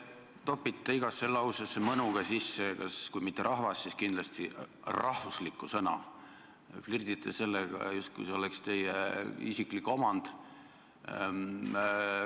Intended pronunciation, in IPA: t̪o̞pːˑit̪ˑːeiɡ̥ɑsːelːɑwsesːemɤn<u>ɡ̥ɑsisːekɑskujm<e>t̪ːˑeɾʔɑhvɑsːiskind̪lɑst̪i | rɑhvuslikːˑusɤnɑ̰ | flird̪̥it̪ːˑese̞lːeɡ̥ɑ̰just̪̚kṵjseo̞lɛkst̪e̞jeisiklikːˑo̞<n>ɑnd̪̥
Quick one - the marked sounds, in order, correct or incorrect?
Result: correct, incorrect, incorrect

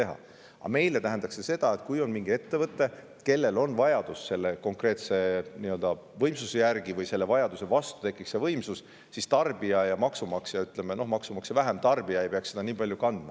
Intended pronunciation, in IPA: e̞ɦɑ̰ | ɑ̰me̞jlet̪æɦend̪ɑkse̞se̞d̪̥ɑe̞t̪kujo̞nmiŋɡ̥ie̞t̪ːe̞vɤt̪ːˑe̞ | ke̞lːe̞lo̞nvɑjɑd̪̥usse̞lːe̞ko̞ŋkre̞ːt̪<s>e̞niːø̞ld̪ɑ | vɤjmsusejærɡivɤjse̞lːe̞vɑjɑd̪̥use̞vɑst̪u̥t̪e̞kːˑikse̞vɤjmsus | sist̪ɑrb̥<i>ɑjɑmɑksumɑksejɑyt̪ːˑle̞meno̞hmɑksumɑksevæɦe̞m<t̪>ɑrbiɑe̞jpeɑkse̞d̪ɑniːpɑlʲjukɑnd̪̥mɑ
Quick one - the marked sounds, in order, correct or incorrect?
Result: correct, correct, correct

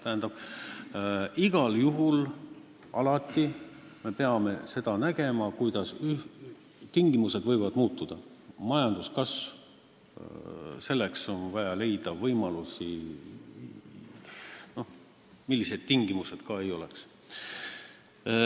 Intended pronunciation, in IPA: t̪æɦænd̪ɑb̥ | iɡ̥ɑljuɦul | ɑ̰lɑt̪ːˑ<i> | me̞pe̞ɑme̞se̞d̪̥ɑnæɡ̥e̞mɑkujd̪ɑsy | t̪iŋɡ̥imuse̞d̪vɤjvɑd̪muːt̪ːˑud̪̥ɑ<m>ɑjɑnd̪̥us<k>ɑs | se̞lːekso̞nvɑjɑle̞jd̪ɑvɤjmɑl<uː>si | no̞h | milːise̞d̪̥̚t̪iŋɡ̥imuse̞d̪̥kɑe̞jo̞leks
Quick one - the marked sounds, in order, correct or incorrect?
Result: correct, correct, correct, incorrect

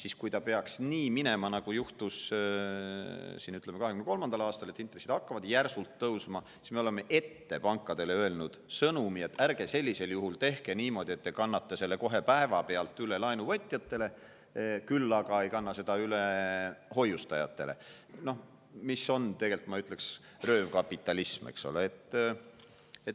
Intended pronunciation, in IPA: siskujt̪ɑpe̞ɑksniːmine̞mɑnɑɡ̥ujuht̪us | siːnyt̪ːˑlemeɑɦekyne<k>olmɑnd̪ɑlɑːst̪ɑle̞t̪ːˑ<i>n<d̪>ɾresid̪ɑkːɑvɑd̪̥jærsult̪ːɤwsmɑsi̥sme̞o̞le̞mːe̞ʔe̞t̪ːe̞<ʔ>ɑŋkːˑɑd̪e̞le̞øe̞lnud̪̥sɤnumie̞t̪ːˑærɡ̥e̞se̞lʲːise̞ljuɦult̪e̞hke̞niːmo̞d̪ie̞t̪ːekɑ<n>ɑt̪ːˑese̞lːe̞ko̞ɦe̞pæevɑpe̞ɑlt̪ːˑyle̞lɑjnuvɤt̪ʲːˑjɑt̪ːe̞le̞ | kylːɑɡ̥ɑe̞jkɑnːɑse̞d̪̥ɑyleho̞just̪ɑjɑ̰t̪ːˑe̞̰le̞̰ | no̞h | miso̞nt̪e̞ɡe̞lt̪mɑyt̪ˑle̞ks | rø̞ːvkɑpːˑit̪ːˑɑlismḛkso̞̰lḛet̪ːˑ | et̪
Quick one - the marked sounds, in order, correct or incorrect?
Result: correct, correct, incorrect, incorrect, incorrect

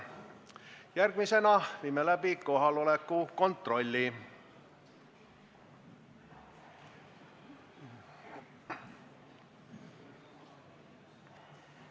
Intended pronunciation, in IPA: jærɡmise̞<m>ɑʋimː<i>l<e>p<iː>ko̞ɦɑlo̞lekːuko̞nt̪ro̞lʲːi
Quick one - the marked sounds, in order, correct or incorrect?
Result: incorrect, incorrect, incorrect, incorrect

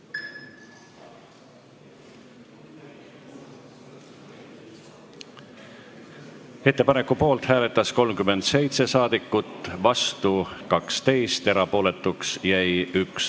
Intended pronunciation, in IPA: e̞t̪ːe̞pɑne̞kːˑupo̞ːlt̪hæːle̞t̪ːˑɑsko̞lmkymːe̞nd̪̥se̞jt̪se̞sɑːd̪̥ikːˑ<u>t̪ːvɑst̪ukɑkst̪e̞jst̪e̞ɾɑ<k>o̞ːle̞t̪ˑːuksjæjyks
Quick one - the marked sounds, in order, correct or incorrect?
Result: correct, incorrect

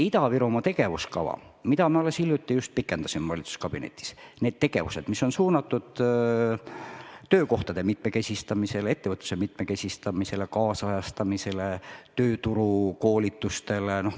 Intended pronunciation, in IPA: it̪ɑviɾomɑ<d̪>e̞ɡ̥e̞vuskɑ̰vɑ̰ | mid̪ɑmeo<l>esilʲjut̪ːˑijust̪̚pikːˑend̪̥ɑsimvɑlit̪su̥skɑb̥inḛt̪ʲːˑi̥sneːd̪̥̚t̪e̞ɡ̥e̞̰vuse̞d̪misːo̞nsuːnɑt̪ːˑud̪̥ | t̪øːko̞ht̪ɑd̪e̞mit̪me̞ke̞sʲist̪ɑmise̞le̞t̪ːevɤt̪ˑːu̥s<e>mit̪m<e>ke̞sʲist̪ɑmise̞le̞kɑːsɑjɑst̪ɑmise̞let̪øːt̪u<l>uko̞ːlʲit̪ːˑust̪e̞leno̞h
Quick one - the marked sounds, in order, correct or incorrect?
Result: incorrect, correct, correct, correct, incorrect

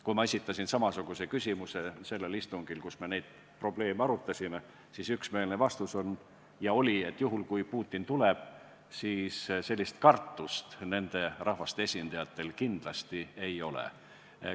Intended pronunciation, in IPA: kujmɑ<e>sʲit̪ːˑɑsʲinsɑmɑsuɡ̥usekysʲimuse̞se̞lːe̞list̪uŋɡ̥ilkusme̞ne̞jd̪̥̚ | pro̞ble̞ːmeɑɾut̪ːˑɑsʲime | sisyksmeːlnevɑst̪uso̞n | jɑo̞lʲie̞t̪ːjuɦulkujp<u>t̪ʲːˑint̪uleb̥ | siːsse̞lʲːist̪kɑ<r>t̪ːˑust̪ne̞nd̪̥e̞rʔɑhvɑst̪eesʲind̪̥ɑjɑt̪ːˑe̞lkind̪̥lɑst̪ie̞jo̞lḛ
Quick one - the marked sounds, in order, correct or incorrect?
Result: correct, incorrect, correct

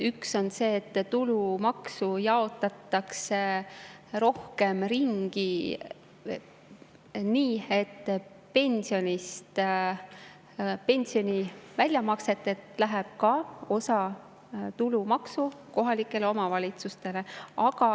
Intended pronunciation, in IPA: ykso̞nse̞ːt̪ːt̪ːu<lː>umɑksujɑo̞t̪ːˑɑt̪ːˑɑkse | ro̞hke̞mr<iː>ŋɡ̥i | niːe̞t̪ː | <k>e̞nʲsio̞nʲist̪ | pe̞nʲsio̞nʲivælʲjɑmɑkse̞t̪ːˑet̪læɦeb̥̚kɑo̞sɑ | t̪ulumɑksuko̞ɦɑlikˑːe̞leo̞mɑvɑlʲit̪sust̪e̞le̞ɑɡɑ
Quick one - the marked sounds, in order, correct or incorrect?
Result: incorrect, incorrect, incorrect

